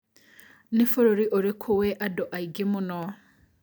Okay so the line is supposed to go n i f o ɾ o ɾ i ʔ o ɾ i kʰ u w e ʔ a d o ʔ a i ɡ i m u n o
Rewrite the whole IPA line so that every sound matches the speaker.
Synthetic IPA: n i f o ɾ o ɾ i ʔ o ɾ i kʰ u w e ʔ a d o ʔ a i ɡ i m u n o